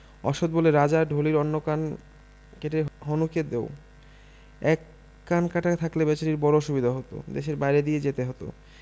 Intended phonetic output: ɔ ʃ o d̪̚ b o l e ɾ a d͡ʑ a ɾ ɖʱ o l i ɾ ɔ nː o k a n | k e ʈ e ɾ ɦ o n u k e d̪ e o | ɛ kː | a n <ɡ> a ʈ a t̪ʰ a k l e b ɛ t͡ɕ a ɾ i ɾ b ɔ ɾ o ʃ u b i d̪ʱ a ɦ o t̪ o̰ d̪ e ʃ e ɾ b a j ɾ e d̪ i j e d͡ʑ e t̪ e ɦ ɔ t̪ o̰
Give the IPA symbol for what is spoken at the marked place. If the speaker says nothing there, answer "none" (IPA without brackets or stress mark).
k